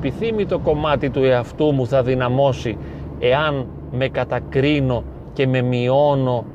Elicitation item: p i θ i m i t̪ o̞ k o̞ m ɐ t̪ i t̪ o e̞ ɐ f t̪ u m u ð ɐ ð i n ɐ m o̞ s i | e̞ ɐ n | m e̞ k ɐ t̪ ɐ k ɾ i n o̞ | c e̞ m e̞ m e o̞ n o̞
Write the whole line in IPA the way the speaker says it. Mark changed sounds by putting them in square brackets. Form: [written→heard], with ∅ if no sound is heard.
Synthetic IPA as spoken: p i θ i m i t̪ o̞ k o̞ m ɐ t̪ i t̪ [o→u] e̞ ɐ f t̪ u m u [ð→θ] ɐ ð i n ɐ m o̞ s i | e̞ ɐ n | m e̞ k ɐ t̪ ɐ k ɾ i n o̞ | c e̞ m e̞ m [e→i] o̞ n o̞